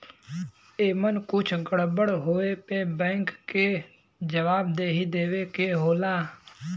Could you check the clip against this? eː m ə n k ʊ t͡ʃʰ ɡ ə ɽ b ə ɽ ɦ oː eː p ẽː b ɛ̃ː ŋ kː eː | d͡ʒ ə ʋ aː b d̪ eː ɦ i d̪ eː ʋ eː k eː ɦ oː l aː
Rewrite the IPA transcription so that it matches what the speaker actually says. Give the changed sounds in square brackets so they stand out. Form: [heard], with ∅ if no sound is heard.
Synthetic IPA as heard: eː m ə n k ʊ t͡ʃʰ ɡ ə ɽ b ə ɽ ɦ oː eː p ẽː b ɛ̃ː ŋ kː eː | d͡ʒ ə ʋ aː b d̪ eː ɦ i d̪ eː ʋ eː k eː ɦ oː l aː